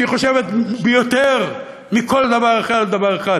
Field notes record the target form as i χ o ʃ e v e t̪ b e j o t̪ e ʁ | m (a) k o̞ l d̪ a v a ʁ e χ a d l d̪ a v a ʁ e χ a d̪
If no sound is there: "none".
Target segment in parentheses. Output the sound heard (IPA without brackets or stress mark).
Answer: i